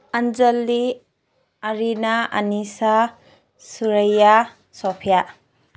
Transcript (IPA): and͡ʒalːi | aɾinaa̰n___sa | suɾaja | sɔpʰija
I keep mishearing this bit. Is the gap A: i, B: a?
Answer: A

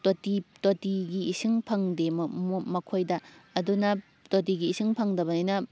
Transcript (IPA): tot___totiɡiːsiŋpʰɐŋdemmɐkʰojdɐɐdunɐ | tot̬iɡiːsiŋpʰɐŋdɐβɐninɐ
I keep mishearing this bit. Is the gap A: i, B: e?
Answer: A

